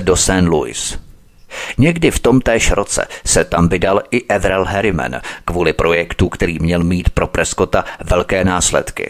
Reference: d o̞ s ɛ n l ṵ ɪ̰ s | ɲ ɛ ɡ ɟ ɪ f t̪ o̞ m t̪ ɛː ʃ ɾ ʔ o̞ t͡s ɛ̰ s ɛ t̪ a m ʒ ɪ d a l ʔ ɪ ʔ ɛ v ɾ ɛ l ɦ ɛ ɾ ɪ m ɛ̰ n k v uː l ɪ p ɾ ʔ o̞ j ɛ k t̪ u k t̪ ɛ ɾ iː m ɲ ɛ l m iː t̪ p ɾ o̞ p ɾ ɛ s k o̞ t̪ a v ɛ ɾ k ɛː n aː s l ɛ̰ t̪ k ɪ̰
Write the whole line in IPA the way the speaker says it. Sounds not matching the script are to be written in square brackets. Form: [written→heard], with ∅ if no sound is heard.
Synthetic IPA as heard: d o̞ s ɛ n l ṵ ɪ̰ s | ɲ ɛ ɡ [ɟ→d] ɪ f t̪ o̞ m t̪ ɛː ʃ ɾ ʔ o̞ t͡s ɛ̰ s ɛ t̪ a m [ʒ→v] ɪ d a l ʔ ɪ ʔ ɛ v ɾ ɛ l ɦ ɛ ɾ ɪ m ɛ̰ n k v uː l ɪ p ɾ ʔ o̞ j ɛ k t̪ u k t̪ ɛ ɾ iː m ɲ ɛ l m iː t̪ p ɾ o̞ p ɾ ɛ s k o̞ t̪ a v ɛ [ɾ→l] k ɛː n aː s l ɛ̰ t̪ k ɪ̰